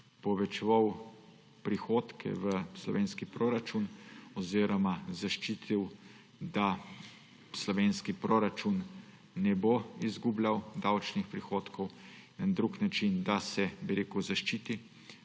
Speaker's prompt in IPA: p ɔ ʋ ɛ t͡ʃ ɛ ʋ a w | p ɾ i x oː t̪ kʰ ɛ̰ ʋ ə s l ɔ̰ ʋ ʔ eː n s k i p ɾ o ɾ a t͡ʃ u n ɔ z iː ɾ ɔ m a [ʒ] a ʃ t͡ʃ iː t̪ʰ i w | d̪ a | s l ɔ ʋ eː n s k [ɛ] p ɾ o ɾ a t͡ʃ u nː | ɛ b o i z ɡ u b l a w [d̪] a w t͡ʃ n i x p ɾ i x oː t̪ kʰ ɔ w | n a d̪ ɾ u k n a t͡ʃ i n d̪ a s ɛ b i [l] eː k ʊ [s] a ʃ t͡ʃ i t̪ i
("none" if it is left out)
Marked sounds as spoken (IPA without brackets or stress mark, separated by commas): z, i, d̪, ɾ, z